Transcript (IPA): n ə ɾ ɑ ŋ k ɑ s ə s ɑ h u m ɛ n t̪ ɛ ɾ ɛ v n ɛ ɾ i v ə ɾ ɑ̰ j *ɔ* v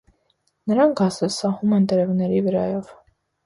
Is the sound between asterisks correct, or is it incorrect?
correct